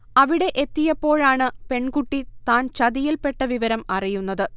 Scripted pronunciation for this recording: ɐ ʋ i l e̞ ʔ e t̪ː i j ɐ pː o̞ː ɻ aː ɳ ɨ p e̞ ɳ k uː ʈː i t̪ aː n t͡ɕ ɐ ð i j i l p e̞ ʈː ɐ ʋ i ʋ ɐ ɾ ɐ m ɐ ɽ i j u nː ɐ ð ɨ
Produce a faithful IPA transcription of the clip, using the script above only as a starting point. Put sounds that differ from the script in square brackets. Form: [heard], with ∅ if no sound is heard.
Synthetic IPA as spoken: ɐ ʋ i [ɽ] e̞ ʔ e t̪ː i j ɐ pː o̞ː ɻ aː ɳ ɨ p e̞ ɳ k [u] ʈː i t̪ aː n t͡ɕ ɐ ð i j i l p e̞ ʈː ɐ ʋ i ʋ ɐ ɾ ɐ m ɐ [r] i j u nː ɐ ð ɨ

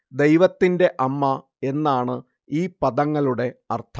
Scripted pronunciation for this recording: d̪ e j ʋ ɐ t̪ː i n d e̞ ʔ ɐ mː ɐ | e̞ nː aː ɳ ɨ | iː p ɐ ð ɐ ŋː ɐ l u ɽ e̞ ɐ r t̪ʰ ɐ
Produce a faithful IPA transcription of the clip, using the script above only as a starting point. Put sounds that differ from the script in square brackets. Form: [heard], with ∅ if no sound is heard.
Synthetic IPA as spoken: d̪ e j ʋ ɐ t̪ː i n d e̞ ʔ ɐ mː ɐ | e̞ nː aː ɳ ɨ | iː p ɐ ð ɐ ŋː ɐ l u ɽ e̞ ɐ r t̪ʰ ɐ

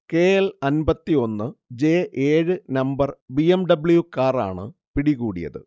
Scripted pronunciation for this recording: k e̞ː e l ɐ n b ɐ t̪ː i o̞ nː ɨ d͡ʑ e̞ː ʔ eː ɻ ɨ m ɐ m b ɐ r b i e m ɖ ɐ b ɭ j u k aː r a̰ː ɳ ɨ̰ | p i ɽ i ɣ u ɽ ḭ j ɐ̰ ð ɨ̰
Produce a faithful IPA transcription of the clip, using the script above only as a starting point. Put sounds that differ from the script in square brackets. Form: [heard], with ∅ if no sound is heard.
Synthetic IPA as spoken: k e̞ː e l ɐ n b ɐ t̪ː i o̞ nː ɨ d͡ʑ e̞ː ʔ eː ɻ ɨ [n] ɐ m b ɐ r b i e m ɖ ɐ b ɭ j u k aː r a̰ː ɳ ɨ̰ | p i ɽ i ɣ [uː] ɽ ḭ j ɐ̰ ð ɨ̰

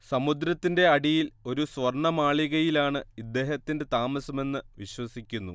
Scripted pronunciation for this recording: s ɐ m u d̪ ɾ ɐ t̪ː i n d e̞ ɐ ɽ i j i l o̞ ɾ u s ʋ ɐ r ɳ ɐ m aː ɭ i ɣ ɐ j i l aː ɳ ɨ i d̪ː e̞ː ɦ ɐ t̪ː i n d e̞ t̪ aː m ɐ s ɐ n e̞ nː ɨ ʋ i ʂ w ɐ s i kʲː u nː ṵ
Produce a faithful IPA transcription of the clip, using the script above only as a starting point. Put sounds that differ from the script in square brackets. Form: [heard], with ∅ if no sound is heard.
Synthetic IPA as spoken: s ɐ m u d̪ ɾ ɐ t̪ː i n d e̞ ɐ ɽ i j i l o̞ ɾ u s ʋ ɐ r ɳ ɐ m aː ɭ i ɣ ɐ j i l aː ɳ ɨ i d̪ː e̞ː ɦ ɐ t̪ː i n d e̞ t̪ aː m ɐ s ɐ [m] e̞ nː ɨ ʋ i [ɕ] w ɐ s i kʲː u nː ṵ

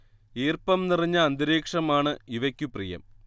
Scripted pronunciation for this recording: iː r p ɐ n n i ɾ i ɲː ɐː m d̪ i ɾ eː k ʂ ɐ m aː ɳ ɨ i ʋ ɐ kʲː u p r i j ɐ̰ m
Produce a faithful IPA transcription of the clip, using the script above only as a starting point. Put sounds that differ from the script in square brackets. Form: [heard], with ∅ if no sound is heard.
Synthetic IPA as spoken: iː r p ɐ [m] n i [r] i ɲː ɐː [n] d̪ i ɾ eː k ʂ ɐ m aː ɳ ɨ i ʋ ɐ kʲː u p r i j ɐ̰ m

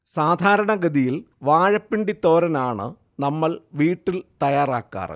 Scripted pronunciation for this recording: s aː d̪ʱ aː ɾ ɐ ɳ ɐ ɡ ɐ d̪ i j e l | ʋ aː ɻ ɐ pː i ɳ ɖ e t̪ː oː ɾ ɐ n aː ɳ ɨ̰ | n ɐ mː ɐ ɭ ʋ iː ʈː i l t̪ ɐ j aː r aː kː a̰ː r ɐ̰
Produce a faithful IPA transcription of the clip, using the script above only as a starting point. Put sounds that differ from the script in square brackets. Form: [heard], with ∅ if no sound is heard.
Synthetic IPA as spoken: s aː d̪ʱ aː ɾ ɐ ɳ ɐ ɡ ɐ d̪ i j [i] l | ʋ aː ɻ ɐ pː i ɳ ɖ [i] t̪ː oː ɾ ɐ n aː ɳ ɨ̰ | n ɐ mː ɐ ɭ ʋ iː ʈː i l t̪ ɐ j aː r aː kː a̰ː r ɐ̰

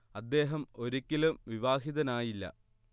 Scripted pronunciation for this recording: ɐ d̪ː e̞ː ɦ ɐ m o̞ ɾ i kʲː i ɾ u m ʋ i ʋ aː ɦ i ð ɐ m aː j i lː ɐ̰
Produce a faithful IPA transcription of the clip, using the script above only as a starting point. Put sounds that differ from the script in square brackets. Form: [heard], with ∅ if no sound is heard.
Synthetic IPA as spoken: ɐ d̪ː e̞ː ɦ ɐ m o̞ ɾ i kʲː i [l] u m ʋ i ʋ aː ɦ i ð ɐ [n] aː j i lː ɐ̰

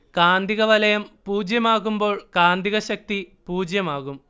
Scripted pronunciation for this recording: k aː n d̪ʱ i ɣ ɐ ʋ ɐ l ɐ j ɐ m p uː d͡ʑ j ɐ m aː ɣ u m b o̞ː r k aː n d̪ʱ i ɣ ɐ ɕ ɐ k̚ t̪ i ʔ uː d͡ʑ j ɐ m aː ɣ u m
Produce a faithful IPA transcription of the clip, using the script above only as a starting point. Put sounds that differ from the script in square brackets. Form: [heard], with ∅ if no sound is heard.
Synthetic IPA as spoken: k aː n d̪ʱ i ɣ ɐ ʋ ɐ l ɐ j ɐ m p uː d͡ʑ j ɐ m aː ɣ u m b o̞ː [ɭ] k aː n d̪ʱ i ɣ ɐ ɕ ɐ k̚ t̪ i [p] uː d͡ʑ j ɐ m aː ɣ u m

